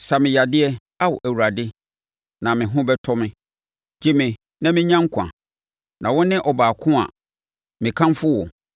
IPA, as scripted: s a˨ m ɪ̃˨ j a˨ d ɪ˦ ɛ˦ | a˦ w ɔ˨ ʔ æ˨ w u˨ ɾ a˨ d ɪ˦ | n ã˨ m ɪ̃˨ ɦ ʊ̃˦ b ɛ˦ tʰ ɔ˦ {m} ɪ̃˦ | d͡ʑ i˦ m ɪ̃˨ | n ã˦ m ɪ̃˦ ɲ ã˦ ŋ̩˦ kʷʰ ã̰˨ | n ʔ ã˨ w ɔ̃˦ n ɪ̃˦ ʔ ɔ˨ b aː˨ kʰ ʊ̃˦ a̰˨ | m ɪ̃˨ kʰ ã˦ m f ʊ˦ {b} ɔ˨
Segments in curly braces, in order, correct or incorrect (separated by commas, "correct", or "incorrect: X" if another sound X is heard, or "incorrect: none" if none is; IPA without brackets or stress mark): correct, incorrect: w